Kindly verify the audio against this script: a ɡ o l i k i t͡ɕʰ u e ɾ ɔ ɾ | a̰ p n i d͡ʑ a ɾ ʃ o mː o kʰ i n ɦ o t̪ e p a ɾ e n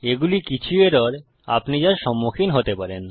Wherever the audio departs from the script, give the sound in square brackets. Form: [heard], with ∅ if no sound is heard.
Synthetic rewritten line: [e] ɡ [u] l i k i t͡ɕʰ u e ɾ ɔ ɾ | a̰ p n i d͡ʑ a ɾ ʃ [ɔ] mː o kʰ i n ɦ o t̪ e p a ɾ e n